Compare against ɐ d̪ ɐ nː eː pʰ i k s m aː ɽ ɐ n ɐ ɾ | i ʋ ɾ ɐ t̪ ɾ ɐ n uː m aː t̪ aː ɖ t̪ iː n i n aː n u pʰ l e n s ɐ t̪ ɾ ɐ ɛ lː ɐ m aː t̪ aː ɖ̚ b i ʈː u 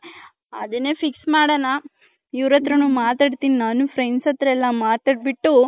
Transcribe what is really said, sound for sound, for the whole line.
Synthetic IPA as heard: ɐ d̪ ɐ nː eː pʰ i k s m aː ɽ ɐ n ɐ | i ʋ ɾ ɐ t̪ ɾ ɐ n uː m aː t̪ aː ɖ t̪ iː n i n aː n u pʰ ɾ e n s ɐ t̪ ɾ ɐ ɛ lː ɐ m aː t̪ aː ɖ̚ b i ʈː u

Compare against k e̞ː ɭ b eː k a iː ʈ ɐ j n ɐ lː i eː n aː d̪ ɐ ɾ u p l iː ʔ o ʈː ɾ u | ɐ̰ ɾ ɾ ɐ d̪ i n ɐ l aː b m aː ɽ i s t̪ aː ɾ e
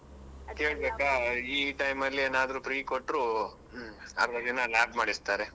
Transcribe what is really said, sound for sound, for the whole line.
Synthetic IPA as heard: k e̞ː ɭ b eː k a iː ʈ ɐ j m ɐ lː i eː n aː d̪ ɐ ɾ u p ɾ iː k o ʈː ɾ u | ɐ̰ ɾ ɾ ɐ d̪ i n ɐ l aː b m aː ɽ i s t̪ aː ɾ e

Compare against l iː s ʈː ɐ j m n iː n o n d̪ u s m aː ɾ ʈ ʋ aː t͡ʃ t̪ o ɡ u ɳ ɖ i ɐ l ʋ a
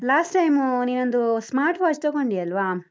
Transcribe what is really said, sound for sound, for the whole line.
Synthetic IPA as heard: l aː s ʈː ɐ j m n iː n o n d̪ u s m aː ɾ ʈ ʋ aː t͡ʃ t̪ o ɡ o ɳ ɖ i ɐ l ʋ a

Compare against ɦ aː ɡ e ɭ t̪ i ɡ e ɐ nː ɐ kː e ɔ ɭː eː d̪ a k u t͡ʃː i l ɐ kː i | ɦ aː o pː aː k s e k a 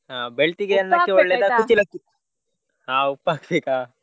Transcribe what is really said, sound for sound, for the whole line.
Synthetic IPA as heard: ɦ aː b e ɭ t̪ i ɡ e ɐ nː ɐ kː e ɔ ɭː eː d̪ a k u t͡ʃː i l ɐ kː i | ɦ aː u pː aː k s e k a

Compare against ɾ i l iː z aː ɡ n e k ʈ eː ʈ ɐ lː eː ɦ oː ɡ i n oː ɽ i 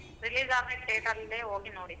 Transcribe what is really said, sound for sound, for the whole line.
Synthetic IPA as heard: ɾ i l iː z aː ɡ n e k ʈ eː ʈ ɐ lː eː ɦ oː ɡ i n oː ɽ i

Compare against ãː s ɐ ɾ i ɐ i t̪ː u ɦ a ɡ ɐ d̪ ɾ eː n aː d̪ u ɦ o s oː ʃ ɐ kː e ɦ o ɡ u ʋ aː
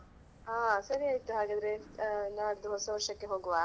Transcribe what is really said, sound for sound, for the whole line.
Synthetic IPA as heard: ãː s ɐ ɾ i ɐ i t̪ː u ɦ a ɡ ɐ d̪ ɾ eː n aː d̪ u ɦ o s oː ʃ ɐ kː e ɦ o ɡ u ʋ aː

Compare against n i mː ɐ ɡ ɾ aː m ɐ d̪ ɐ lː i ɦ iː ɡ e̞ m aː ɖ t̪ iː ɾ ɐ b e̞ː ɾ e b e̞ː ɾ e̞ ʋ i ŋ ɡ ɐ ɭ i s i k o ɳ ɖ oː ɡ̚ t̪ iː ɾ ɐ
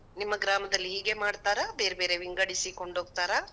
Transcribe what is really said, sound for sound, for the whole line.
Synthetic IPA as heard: n i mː ɐ ɡ ɾ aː m ɐ d̪ ɐ lː i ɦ iː ɡ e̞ m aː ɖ t̪ aː ɾ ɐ b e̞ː ɾ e b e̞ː ɾ e̞ ʋ i ŋ ɡ ɐ ɽ i s i k o ɳ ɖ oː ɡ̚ t̪ aː ɾ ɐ

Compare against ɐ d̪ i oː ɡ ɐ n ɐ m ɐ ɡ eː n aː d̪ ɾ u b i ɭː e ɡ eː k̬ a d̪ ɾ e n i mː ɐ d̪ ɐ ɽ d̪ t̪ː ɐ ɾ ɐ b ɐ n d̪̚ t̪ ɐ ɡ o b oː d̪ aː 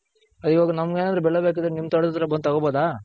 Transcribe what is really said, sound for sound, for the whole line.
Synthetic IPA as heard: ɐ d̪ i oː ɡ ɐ n ɐ m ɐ ɡ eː n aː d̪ ɾ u b ɛ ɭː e b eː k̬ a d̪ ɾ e n i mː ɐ t̪ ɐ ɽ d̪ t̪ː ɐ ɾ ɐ b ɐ n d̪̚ t̪ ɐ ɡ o b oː d̪ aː

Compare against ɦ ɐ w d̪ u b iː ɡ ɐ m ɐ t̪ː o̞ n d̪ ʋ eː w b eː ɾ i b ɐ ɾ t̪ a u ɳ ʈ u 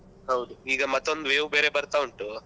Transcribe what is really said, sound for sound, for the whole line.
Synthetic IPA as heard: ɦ ɐ w d̪ u iː ɡ ɐ m ɐ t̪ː o̞ n d̪ ʋ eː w b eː ɾ e b ɐ ɾ t̪ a u ɳ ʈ u

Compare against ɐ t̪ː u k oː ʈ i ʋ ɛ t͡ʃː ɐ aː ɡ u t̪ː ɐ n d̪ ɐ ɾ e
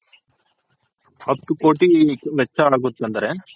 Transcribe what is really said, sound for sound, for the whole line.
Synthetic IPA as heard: ɐ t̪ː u k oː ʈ i ʋ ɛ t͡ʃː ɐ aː ɡ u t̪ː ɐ n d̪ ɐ ɾ e

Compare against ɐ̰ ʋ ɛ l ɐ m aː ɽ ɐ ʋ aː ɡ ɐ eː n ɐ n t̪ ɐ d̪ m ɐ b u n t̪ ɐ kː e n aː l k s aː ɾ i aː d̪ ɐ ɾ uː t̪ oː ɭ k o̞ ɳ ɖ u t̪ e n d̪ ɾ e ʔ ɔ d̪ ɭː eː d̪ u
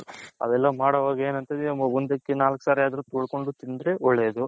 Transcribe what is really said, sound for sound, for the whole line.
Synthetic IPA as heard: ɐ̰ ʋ ɛ lː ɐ m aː ɽ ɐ ʋ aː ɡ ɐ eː n ɐ n t̪ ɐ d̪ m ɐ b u n d̪ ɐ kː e n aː l k s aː ɾ i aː d̪ ɐ ɾ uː t̪ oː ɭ k o̞ ɳ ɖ u t̪ i n d̪ ɾ e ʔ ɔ ɭː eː d̪ u

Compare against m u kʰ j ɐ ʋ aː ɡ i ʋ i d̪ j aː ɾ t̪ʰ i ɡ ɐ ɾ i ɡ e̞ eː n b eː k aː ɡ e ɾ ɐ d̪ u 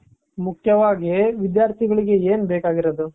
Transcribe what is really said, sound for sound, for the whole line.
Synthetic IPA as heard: m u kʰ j ɐ ʋ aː ɡ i ʋ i d̪ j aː ɾ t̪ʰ i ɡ ɐ ɭ i ɡ e̞ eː n b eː k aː ɡ i ɾ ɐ d̪ u

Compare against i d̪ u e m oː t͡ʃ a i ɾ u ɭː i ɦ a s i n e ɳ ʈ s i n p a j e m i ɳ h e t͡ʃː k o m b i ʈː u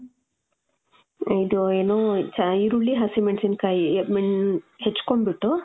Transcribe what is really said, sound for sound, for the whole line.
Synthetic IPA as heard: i d̪ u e n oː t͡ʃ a i ɾ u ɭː i ɦ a s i m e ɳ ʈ s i n k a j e m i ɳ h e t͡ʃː k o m b i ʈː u

